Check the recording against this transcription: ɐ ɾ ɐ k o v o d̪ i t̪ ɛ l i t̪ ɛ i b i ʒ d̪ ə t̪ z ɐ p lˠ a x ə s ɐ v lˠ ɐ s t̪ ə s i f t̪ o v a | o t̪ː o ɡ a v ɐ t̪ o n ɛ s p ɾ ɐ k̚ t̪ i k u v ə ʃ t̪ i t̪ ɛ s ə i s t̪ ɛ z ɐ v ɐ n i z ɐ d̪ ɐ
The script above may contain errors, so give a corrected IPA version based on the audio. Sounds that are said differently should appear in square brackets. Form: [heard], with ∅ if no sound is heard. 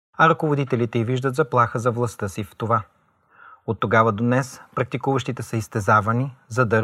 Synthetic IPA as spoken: ɐ ɾ ɐ k o v o d̪ i t̪ ɛ l i t̪ ɛ i [v] i ʒ d̪ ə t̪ z ɐ p lˠ a x ə [z] ɐ v lˠ ɐ s t̪ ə s i f t̪ o v a | o t̪ː o ɡ a v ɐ [d̪] o n ɛ s p ɾ ɐ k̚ t̪ i k u v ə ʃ t̪ i t̪ ɛ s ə i s t̪ ɛ z [a] v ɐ n i z ɐ d̪ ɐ